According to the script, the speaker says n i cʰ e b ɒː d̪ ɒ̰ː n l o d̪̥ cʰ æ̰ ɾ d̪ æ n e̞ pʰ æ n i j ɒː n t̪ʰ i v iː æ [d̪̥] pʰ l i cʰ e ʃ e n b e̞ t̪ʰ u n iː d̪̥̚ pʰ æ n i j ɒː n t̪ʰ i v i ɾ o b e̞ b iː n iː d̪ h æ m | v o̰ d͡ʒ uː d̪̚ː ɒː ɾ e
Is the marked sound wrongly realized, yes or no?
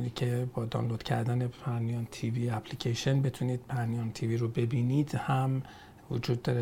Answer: yes